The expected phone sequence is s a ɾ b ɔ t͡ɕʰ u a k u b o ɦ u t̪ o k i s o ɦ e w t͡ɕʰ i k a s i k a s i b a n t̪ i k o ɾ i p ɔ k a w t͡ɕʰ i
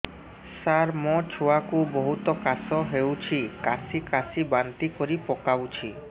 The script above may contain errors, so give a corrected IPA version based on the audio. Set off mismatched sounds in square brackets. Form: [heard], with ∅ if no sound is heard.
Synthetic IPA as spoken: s a ɾ [m] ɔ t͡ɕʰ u a k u b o ɦ u t̪ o k [a] s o ɦ e w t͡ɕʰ i k a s i k a s i b a n t̪ i k o ɾ i p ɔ k a w t͡ɕʰ i